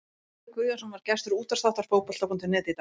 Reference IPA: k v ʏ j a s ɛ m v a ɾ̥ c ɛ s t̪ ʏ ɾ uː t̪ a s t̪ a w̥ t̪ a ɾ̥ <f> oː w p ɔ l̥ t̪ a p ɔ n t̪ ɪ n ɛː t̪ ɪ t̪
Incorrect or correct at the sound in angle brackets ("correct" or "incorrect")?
correct